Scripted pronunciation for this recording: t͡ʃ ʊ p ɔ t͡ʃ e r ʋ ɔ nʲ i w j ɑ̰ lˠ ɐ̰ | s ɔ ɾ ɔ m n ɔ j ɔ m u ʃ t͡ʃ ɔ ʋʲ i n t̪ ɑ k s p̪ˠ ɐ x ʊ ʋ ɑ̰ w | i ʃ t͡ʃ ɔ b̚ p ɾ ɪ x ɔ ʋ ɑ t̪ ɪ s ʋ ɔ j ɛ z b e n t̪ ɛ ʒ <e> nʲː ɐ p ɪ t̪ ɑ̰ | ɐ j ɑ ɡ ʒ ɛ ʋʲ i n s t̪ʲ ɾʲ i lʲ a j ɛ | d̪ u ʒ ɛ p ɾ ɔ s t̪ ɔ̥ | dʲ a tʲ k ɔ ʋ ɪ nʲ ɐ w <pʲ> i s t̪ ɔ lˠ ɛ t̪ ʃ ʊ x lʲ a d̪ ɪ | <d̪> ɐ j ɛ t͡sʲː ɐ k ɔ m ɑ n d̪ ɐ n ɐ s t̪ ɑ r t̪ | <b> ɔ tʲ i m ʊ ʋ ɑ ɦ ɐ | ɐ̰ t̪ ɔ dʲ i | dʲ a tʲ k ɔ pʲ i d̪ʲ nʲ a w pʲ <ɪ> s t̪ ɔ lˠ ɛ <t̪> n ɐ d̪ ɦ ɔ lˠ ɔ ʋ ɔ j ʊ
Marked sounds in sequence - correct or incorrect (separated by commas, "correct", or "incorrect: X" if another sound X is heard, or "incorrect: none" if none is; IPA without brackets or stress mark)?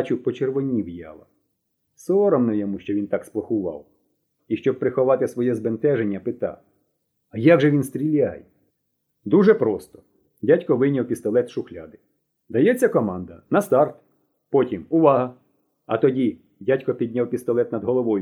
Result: correct, correct, correct, incorrect: p, incorrect: i, correct